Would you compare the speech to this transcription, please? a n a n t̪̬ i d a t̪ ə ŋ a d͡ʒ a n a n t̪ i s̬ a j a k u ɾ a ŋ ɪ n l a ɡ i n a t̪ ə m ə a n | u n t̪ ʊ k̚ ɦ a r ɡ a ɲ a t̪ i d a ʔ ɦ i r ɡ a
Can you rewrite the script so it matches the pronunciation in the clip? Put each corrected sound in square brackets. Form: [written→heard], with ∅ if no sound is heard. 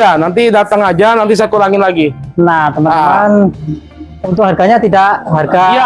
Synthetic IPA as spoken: a n a n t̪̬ i d a t̪ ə ŋ a d͡ʒ a n a n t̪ i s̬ a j a k u ɾ a ŋ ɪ n l a ɡ i n a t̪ ə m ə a n | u n t̪ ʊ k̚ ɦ a r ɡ a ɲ a t̪ i d a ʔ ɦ [i→a] r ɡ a